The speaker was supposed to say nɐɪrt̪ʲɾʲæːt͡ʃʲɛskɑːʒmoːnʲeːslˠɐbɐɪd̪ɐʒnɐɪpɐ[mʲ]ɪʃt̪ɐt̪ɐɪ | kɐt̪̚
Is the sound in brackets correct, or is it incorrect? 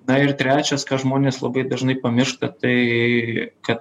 correct